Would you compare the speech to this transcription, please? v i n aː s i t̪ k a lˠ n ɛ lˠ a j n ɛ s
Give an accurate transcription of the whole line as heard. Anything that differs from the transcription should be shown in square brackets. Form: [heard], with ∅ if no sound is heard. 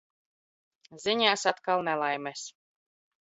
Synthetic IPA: [z] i [ɲ] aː s [a] t̪ k a lˠ n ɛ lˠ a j [m] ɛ s